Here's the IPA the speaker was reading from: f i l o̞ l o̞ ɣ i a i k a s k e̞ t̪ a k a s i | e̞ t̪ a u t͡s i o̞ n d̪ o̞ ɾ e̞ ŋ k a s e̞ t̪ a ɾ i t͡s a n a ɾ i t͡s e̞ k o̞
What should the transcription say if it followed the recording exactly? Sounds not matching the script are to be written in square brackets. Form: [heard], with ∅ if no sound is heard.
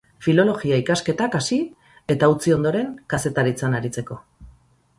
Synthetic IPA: f i l o̞ l o̞ ɣ i a i k a s k e̞ t̪ a k a s i | e̞ t̪ a u t͡s i o̞ n d̪ o̞ ɾ e̞ ŋ k a s e̞ t̪ a ɾ i t͡s a n a ɾ i t͡s e̞ k o̞